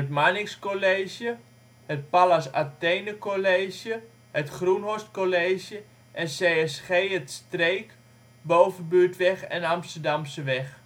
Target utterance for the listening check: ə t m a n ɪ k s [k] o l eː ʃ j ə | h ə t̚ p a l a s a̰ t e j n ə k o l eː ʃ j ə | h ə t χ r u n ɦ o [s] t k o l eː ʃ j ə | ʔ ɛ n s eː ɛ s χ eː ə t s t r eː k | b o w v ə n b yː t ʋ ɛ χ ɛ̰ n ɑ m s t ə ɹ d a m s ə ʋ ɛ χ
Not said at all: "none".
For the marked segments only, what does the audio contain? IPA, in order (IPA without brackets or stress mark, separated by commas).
k, s